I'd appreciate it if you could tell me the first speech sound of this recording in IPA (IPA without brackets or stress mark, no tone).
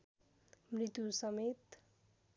m